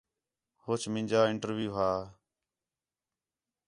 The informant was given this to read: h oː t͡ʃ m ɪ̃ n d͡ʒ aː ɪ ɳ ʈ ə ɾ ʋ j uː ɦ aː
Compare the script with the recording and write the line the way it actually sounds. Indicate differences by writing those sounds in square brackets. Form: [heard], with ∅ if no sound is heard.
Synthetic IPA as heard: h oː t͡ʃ m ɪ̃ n d͡ʒ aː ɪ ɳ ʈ ə ɾ ʋ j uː ɦ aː

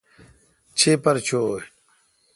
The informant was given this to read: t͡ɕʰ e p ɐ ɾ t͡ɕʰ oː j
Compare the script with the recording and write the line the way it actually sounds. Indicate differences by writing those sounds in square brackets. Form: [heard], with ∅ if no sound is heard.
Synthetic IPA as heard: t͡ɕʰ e p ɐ ɾ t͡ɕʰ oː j

